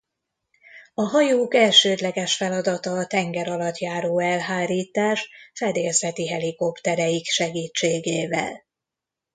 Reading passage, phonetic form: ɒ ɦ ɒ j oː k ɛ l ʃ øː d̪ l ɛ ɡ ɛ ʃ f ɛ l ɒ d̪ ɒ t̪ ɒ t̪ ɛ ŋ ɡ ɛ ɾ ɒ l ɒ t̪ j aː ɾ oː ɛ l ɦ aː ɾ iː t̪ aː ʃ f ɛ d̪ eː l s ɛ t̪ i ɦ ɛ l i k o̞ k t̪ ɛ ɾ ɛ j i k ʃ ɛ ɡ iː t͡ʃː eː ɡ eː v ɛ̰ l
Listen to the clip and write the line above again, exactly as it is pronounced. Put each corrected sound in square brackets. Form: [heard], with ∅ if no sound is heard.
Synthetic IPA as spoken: ɒ ɦ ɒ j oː k ɛ l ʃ øː d̪ l ɛ ɡ ɛ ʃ f ɛ l ɒ d̪ ɒ t̪ ɒ t̪ ɛ ŋ ɡ ɛ ɾ ɒ l ɒ t̪ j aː ɾ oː ɛ l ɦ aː ɾ iː t̪ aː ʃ f ɛ d̪ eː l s ɛ t̪ i ɦ ɛ l i k o̞ [p] t̪ ɛ ɾ ɛ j i k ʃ ɛ ɡ iː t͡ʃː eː ɡ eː v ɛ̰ l